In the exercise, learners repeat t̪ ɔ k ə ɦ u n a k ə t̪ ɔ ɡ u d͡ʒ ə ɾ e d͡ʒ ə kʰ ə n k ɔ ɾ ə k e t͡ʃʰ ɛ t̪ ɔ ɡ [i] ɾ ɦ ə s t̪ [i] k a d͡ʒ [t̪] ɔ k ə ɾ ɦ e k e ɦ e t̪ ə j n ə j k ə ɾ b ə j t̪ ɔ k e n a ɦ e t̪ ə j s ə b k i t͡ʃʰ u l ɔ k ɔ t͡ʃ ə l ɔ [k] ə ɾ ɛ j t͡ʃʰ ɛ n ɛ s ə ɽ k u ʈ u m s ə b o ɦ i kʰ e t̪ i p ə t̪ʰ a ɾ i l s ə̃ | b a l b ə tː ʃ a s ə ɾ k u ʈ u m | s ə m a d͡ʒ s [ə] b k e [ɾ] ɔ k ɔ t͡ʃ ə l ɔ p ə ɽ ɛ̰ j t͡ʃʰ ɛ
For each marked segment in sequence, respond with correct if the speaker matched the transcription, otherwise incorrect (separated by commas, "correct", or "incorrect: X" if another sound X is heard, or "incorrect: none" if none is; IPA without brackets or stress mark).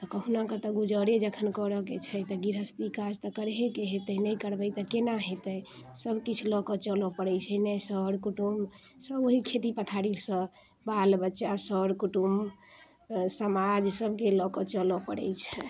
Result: correct, correct, correct, incorrect: p, correct, incorrect: l